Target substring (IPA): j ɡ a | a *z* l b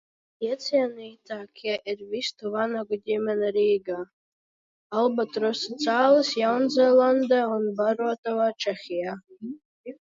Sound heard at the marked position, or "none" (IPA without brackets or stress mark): none